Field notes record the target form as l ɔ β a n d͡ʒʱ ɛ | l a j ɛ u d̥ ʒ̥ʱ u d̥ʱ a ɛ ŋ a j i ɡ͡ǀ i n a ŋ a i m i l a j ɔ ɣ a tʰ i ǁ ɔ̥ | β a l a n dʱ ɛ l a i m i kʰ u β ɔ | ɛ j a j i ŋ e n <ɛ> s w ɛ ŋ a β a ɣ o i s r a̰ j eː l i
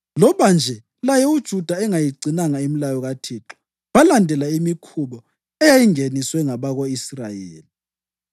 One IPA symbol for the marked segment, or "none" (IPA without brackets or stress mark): i